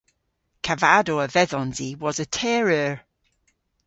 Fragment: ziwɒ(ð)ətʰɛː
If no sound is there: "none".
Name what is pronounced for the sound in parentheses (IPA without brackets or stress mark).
z